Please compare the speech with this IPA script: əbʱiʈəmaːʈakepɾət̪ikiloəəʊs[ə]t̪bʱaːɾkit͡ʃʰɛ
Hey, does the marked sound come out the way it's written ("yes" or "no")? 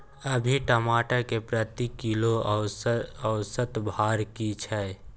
yes